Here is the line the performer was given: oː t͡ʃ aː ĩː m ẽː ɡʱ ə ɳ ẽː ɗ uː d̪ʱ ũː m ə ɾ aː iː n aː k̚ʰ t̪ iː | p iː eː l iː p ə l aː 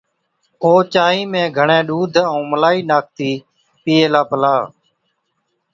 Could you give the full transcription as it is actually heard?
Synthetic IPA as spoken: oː t͡ʃ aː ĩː m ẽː ɡʱ ə ɳ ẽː ɗ uː d̪ʱ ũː m ə l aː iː n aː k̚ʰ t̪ iː | p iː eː l aː p ə l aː